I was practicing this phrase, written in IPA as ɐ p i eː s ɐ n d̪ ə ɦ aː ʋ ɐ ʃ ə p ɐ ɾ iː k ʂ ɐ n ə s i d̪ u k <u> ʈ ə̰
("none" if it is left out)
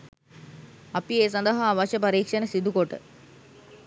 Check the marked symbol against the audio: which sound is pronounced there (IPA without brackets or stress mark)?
o